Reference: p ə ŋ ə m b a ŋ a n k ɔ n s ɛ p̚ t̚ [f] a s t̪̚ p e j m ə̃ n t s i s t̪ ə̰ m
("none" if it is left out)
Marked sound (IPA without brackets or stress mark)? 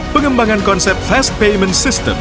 f